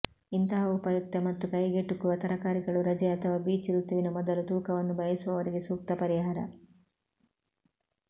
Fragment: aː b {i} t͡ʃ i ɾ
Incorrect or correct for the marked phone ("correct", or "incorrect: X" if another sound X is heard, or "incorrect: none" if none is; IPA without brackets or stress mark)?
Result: incorrect: iː